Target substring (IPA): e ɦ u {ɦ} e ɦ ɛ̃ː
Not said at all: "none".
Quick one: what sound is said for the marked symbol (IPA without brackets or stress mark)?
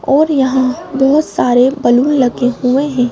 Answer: none